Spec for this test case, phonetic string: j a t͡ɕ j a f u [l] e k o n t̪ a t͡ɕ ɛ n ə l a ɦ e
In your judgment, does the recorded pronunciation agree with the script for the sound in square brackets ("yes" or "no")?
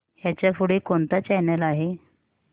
no